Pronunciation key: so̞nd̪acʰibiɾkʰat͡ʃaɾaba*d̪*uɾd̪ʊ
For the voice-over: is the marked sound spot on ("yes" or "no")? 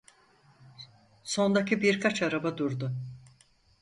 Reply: yes